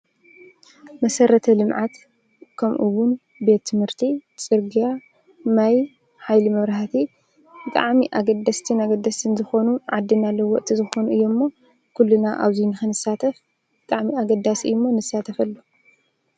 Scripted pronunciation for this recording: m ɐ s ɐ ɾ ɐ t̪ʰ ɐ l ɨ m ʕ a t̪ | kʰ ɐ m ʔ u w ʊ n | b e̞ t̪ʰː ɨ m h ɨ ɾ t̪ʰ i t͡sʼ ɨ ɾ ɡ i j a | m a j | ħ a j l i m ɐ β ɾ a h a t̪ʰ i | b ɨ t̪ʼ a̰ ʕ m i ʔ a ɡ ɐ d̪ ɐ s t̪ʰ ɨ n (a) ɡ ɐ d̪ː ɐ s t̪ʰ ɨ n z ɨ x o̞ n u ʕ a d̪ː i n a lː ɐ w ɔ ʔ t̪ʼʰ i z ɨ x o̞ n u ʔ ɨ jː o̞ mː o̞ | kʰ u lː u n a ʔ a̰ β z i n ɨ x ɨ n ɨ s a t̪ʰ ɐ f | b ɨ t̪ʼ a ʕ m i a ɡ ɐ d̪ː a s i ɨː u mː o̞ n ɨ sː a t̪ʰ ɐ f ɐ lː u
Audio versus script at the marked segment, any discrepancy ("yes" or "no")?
no